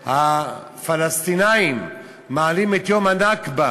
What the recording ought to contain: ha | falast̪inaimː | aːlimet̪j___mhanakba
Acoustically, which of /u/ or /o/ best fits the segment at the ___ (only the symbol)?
o